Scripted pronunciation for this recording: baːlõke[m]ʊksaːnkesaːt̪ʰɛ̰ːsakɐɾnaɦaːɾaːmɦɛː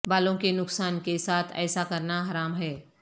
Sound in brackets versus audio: incorrect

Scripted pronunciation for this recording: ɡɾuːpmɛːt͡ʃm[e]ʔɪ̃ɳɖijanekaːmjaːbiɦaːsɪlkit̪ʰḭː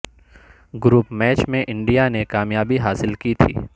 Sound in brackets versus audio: incorrect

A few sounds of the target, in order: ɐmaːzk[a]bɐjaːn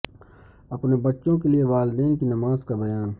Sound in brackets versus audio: correct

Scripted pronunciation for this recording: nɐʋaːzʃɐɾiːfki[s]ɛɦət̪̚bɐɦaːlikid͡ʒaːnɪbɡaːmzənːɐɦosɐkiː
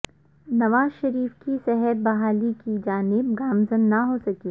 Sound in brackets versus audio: correct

